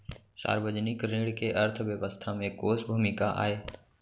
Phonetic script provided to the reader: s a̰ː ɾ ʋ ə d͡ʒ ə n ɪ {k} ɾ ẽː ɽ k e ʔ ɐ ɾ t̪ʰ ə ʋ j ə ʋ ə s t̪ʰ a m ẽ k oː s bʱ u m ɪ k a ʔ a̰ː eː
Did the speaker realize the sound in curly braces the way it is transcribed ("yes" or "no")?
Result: yes